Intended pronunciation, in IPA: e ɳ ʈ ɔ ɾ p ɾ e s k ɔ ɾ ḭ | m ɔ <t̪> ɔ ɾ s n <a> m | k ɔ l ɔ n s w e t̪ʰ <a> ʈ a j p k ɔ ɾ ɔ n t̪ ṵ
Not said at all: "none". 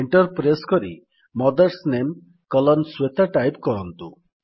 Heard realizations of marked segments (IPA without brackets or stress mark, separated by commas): d̪, e, a